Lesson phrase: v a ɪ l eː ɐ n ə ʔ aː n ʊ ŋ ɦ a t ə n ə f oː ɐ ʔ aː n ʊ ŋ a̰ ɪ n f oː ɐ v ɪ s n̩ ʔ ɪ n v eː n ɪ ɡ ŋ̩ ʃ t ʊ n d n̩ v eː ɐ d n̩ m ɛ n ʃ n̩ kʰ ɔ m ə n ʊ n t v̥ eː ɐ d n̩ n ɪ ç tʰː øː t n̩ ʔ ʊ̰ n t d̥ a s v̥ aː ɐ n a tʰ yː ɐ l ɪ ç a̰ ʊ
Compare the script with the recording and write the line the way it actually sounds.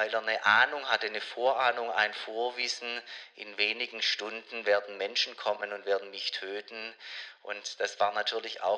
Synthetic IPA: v a ɪ l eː ɐ n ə ʔ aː n ʊ ŋ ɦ a t ə n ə f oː ɐ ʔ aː n ʊ ŋ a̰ ɪ n f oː ɐ v ɪ s n̩ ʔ ɪ n v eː n ɪ ɡ ŋ̩ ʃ t ʊ n d n̩ v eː ɐ d n̩ m ɛ n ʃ n̩ kʰ ɔ m ə n ʊ n t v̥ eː ɐ d n̩ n ɪ ç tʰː øː t n̩ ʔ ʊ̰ n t d̥ a s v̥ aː ɐ n a tʰ yː ɐ l ɪ ç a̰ ʊ